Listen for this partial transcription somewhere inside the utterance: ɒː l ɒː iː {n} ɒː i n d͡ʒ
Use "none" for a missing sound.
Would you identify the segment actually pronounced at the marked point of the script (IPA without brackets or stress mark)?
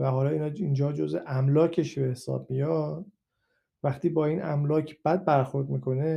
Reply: n